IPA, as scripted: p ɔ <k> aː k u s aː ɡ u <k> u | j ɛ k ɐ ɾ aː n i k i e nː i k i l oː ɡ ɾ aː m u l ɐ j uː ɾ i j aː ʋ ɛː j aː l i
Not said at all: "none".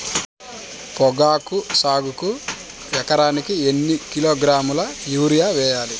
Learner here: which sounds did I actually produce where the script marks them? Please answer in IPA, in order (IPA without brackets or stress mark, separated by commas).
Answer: ɡ, k